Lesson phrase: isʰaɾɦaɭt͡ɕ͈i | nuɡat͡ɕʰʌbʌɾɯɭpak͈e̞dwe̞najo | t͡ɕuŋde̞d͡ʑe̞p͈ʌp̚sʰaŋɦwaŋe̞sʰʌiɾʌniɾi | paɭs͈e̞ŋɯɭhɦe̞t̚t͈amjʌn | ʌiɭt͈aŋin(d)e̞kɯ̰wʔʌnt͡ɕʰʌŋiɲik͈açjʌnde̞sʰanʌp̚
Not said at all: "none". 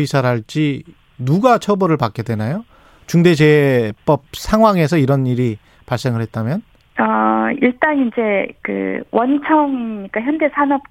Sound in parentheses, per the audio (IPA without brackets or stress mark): d͡ʑ